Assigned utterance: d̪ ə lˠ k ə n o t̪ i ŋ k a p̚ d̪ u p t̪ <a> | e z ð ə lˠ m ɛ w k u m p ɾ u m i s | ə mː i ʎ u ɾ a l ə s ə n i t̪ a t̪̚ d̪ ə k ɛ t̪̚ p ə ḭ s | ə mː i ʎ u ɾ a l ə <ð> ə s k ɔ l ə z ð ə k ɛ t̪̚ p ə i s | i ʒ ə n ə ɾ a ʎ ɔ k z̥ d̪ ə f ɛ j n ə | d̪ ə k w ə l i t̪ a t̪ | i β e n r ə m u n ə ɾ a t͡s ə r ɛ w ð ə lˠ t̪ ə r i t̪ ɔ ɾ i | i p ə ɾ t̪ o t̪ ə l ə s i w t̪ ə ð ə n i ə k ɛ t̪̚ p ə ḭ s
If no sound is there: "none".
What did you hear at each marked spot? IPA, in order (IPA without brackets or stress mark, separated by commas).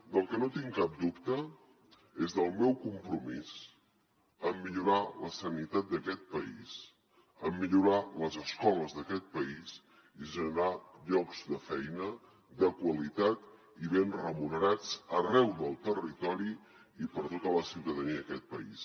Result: ə, z